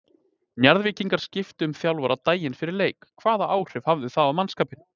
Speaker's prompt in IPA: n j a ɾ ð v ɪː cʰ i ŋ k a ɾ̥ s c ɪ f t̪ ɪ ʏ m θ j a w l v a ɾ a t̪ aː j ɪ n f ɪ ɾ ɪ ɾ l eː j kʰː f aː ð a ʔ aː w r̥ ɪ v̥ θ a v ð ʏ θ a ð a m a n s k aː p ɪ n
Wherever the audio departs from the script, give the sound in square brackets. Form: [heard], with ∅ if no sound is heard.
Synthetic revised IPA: n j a ɾ ð v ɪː [c] i ŋ k a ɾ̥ s c ɪ f t̪ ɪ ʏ m θ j a w l v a ɾ a t̪ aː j ɪ n f ɪ ɾ ɪ ɾ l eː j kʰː [v] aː ð a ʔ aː w r̥ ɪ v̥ [h] a v ð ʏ θ a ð a m a n s k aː p ɪ n